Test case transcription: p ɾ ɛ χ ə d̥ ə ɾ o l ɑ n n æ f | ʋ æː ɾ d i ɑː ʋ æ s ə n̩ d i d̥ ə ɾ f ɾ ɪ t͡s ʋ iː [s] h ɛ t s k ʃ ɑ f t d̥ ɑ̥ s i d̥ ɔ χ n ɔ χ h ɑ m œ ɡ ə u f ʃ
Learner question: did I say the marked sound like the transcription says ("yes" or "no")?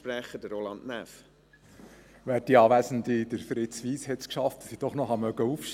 yes